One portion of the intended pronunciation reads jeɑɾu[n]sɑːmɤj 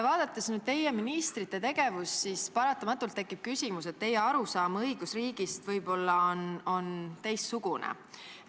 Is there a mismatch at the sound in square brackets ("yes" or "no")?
yes